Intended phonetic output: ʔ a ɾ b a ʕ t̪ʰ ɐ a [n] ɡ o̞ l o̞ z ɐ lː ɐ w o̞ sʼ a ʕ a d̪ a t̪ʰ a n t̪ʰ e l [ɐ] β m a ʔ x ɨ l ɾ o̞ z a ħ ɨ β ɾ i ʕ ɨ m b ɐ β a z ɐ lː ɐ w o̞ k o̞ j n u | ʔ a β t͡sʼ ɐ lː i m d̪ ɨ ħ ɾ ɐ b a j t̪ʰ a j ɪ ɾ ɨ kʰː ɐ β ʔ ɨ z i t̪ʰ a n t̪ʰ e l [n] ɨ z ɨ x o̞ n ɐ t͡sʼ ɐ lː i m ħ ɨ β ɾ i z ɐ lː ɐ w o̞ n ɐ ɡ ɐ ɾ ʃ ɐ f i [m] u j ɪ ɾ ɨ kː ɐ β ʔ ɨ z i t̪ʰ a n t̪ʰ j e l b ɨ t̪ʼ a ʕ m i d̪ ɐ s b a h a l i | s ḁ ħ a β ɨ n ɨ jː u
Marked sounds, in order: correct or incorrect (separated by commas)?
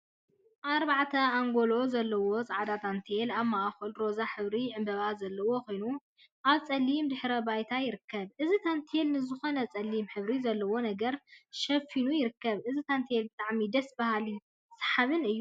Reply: incorrect, incorrect, correct, incorrect